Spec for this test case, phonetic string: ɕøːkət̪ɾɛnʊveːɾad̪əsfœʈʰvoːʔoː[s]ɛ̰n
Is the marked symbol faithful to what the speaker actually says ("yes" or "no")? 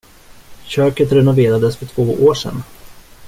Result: no